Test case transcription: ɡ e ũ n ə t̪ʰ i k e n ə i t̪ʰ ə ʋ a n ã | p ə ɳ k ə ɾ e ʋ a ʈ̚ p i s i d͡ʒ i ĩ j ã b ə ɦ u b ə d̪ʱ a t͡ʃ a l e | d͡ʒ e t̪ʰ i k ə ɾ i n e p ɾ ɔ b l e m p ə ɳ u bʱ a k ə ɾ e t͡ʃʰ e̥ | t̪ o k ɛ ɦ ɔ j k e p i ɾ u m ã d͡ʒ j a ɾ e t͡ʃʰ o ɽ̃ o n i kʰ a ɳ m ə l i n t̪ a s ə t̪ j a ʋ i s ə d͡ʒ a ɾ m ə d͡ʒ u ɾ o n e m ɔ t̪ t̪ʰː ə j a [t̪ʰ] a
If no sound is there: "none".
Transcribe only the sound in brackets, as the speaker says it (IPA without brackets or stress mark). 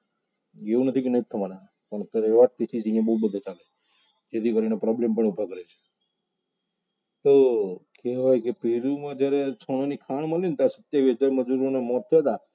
t̪